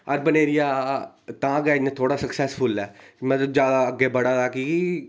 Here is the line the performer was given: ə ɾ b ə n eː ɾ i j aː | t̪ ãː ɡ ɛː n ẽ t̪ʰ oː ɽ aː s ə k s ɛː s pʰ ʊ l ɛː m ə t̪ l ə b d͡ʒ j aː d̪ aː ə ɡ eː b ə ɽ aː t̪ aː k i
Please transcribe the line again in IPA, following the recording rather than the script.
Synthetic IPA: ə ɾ b ə n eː ɾ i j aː | t̪ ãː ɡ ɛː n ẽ t̪ʰ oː ɽ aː s ə k s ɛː s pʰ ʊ l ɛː m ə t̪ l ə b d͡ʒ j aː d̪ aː ə ɡ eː b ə ɽ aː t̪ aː k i